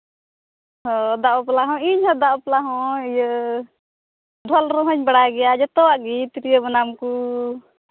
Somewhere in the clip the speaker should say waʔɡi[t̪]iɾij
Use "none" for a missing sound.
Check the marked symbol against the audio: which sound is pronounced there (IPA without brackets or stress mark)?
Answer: t̪